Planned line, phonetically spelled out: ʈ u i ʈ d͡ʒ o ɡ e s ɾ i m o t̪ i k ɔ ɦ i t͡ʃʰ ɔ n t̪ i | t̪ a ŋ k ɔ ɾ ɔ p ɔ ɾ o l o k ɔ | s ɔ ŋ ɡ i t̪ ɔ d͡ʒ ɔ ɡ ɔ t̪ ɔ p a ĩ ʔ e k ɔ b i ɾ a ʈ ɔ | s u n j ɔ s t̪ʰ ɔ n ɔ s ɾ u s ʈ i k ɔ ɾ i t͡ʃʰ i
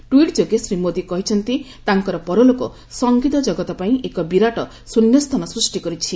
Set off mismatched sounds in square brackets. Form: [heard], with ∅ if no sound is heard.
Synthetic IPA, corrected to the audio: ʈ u i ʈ d͡ʒ o ɡ e s ɾ i m o [d̪] i k ɔ ɦ i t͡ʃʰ ɔ n t̪ i | t̪ a ŋ k ɔ ɾ ɔ p ɔ ɾ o l o k ɔ | s ɔ ŋ ɡ i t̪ ɔ d͡ʒ ɔ ɡ ɔ t̪ ɔ p a ĩ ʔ e k ɔ b i ɾ a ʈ ɔ | s u n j ɔ s t̪ʰ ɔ n ɔ s ɾ u s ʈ i k ɔ ɾ i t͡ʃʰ i